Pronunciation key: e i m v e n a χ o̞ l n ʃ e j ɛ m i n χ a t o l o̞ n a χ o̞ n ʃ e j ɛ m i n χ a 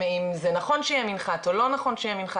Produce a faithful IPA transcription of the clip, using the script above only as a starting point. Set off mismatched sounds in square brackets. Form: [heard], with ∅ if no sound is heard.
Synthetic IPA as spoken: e i m [z] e n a χ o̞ [∅] n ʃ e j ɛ m i n χ a t o l o̞ n a χ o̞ n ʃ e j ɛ m i n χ a